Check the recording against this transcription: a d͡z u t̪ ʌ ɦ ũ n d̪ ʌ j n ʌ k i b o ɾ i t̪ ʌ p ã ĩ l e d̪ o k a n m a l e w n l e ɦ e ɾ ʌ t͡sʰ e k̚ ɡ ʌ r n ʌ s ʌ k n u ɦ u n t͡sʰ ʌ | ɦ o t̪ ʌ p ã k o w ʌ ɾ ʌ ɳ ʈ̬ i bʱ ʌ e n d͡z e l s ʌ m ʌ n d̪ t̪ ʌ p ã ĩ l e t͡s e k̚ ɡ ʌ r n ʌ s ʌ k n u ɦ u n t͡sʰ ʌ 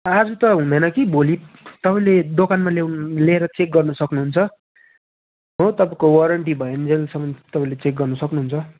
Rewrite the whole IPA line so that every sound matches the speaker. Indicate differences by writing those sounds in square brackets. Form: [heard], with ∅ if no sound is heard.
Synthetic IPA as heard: a d͡z u t̪ ʌ ɦ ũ n d̪ ʌ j n ʌ k i b o [l] i t̪ ʌ p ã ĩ l e d̪ o k a n m a l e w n l e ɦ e ɾ ʌ [t͡s] e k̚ ɡ ʌ r n ʌ s ʌ k n u ɦ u n t͡sʰ ʌ | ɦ o t̪ ʌ p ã k o w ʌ ɾ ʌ ɳ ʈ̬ i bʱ ʌ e n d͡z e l s ʌ m ʌ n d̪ t̪ ʌ p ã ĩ l e t͡s e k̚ ɡ ʌ r n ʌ s ʌ k n u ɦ u n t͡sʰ ʌ